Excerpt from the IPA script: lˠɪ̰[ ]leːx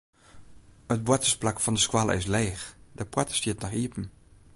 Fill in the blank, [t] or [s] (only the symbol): s